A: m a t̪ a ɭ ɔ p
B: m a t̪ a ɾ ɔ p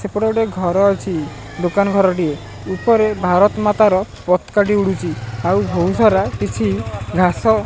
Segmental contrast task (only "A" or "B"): B